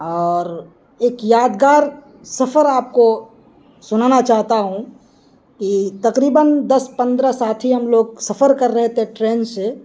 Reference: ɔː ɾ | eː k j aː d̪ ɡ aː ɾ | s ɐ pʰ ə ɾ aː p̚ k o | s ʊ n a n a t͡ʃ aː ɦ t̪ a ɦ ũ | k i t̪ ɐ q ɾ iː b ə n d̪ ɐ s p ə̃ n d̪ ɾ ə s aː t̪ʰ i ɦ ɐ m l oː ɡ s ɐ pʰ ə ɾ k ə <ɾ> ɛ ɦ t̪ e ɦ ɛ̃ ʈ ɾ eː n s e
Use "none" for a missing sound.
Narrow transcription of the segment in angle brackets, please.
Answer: ɾː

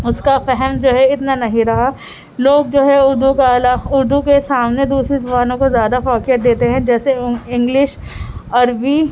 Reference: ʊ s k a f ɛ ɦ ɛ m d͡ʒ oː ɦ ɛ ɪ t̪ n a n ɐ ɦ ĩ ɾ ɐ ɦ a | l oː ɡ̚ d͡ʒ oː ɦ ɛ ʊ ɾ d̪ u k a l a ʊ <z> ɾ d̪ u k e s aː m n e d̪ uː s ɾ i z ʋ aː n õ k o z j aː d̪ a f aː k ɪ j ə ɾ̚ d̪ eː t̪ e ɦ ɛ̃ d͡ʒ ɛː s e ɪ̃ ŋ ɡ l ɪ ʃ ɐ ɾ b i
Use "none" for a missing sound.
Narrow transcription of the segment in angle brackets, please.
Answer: none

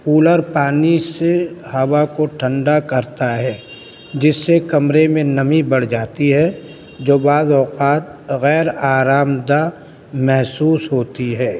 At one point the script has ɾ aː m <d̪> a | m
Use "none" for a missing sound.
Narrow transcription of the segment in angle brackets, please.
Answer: d̪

